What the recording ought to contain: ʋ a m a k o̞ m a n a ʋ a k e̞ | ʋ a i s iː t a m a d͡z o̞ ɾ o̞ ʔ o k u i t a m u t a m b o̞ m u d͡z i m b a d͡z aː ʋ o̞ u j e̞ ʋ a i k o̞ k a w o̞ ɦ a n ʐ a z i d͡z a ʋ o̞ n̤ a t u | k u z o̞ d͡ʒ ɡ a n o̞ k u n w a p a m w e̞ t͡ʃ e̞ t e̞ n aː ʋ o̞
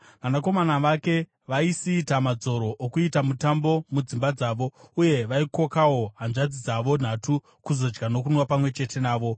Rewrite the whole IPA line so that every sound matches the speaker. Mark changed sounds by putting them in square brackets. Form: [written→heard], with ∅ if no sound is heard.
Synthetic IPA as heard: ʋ a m a k o̞ m a n a ʋ a k e̞ | ʋ a i s iː t a m a d͡z o̞ ɾ o̞ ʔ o k u i t a m u t a m b o̞ m u d͡z i m b a d͡z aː ʋ o̞ u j e̞ ʋ a i k o̞ k a w o̞ ɦ a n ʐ a [z→d͡z] i d͡z a ʋ o̞ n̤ a t u | k u z o̞ d͡ʒ ɡ a n o̞ k u n w a p a m w e̞ t͡ʃ e̞ t e̞ n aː ʋ o̞

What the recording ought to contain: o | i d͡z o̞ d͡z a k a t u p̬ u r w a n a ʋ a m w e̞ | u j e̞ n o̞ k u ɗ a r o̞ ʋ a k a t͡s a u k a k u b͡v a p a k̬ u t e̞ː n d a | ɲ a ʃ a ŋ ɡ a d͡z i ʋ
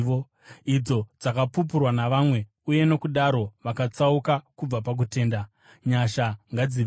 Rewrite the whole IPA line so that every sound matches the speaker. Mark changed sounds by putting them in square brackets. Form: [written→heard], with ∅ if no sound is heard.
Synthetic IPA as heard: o | i d͡z o̞ d͡z a k a [t→p] u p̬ u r w a n a ʋ a m w e̞ | u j e̞ n o̞ k u ɗ a [r→ɾ] o̞ ʋ a k a t͡s a u k a k u b͡v a p a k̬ u t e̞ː n d a | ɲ a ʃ a ŋ ɡ a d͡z i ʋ

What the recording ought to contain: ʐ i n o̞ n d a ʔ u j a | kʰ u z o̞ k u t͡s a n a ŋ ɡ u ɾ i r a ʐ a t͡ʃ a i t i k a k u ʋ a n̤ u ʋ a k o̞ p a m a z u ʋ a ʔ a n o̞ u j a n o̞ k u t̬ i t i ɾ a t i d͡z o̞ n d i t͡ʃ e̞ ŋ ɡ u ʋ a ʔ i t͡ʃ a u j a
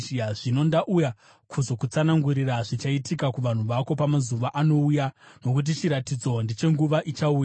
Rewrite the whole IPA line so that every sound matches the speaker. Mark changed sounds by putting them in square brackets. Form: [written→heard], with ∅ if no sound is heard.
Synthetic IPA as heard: ʐ i n o̞ n d a ʔ u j a | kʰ u z o̞ k u t͡s a n a ŋ ɡ u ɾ i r a ʐ [a→i] t͡ʃ a i t i k a k u ʋ a n̤ u ʋ a k o̞ p a m a z u ʋ a ʔ a n o̞ u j a n o̞ k u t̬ i [t→t͡ʃ] i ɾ a t i d͡z o̞ n d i t͡ʃ e̞ ŋ ɡ u ʋ a ʔ i t͡ʃ a u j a

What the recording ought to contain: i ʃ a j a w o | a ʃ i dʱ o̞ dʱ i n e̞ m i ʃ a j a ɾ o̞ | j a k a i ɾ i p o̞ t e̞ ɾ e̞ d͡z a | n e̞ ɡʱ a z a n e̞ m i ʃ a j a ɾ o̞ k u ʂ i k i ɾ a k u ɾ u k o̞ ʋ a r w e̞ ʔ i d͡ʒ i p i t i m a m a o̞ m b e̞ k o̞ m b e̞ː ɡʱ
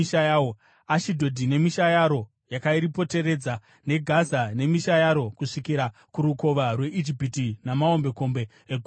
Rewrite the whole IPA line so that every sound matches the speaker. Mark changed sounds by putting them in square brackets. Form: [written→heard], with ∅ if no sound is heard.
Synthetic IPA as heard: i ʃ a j a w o | a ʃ i dʱ o̞ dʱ i n e̞ m i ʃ a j a ɾ o̞ | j a k a i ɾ i p o̞ t e̞ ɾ e̞ d͡z a | n e̞ ɡʱ a z a n e̞ m i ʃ a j a ɾ o̞ k u ʂ i k i ɾ a k u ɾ u k o̞ ʋ a r w e̞ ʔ i d͡ʒ i p i t i [m→n] a m a o̞ m b e̞ k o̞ m b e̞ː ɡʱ

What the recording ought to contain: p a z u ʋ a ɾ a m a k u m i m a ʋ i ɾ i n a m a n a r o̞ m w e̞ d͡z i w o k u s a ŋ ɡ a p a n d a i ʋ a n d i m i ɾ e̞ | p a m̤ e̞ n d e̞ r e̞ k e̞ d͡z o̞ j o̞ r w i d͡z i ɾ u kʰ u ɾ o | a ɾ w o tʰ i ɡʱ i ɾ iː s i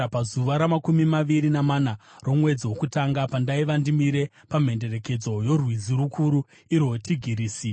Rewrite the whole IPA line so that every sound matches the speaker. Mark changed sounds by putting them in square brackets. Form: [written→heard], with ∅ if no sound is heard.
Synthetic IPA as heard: p a z u ʋ a ɾ a m a k u m i m a ʋ i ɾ i n a m a n a r o̞ m w e̞ d͡z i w o k u [s→t] a ŋ ɡ a p a n d a i ʋ a n d i m i ɾ e̞ | p a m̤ e̞ n d e̞ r e̞ k e̞ d͡z o̞ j o̞ r w i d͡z i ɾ u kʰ u ɾ [o→u] | [a→i] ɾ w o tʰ i ɡʱ i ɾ iː s i

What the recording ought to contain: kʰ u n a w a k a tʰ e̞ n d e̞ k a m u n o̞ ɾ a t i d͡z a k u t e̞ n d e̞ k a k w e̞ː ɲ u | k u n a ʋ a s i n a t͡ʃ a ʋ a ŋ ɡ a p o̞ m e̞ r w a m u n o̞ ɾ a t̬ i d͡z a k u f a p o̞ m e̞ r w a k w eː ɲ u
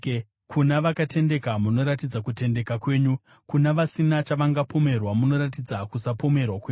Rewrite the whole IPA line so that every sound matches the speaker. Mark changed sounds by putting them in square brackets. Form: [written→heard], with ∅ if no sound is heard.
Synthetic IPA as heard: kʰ u n a [w→ʋ] a k a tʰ e̞ n d e̞ k a m u n o̞ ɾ a t i d͡z a k u t e̞ n d e̞ k a k w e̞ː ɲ u | k u n a ʋ a s i n a t͡ʃ a ʋ a ŋ ɡ a p o̞ m e̞ r w a m u n o̞ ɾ a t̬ i d͡z a k u [f→s] a p o̞ m e̞ r w a k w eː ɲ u

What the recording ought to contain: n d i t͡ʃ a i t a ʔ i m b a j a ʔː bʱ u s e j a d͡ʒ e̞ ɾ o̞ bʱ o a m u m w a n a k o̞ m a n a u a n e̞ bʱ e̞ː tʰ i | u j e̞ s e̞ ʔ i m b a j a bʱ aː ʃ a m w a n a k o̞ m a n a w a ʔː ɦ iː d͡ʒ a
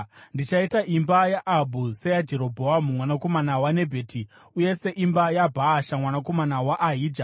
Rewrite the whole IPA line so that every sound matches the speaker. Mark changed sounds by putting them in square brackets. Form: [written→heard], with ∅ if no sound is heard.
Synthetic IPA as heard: n d i t͡ʃ a i t a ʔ i m b a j a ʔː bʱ u s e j a d͡ʒ e̞ ɾ o̞ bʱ o a m u m w a n a k o̞ m a n a [u→w] a n e̞ bʱ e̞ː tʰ i | u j e̞ s e̞ ʔ i m b a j a bʱ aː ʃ a m w a n a k o̞ m a n a w a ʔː ɦ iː d͡ʒ a

